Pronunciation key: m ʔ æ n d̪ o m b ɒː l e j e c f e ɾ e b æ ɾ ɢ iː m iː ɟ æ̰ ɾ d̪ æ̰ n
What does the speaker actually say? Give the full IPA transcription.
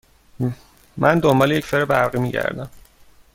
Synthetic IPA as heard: m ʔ æ n d̪ o m b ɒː l e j e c f e ɾ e b æ ɾ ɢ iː m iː ɟ æ̰ ɾ d̪ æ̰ m